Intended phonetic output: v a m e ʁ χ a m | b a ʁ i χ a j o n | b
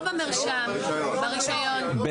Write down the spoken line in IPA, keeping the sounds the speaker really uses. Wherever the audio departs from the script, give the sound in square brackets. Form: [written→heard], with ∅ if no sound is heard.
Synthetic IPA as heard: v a m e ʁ [χ→ʃ] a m | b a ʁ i [χ→ʃ] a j o n | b